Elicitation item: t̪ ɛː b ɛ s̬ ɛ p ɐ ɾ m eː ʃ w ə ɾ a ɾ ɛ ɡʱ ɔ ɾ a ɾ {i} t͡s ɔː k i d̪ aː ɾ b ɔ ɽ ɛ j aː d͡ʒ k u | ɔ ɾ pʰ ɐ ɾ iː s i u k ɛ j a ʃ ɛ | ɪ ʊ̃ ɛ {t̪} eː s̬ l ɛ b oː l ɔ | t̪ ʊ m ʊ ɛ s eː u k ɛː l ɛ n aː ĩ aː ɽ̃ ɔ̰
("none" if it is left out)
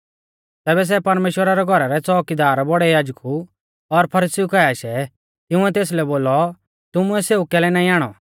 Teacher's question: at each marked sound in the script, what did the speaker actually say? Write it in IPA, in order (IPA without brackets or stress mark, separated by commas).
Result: ɛ, t̪